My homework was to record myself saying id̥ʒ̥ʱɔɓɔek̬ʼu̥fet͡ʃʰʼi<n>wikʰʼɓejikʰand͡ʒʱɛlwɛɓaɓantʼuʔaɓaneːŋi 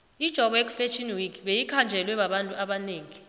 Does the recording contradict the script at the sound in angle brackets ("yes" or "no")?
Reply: no